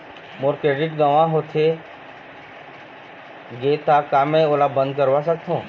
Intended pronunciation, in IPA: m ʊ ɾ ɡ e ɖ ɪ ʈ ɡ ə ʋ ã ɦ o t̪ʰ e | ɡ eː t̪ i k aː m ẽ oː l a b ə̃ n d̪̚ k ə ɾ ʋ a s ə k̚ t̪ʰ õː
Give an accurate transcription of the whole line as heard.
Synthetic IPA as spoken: m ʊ ɾ k e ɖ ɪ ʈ ɡ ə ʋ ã ɦ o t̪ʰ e | ɡ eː t̪ a k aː m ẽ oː l a b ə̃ n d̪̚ k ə ɾ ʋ a s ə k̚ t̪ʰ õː